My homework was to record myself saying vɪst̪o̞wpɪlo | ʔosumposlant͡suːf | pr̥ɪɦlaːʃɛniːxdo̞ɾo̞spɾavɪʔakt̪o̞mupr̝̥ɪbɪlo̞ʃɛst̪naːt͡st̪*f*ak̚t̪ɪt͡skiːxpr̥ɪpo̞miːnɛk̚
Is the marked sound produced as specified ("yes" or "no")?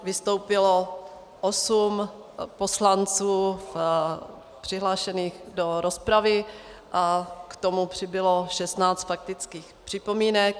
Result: yes